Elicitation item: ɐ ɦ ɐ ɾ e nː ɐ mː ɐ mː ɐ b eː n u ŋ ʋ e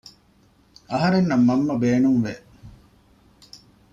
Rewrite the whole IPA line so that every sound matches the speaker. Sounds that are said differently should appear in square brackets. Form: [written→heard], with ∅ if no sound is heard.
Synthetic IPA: ɐ ɦ ɐ ɾ e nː ɐ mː ɐ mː ɐ b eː n u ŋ ʋ e